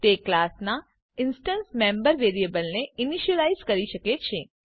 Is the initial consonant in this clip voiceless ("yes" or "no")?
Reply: yes